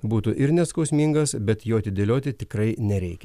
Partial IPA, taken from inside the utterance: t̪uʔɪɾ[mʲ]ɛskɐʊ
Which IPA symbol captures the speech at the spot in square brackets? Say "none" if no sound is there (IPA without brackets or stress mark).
nʲ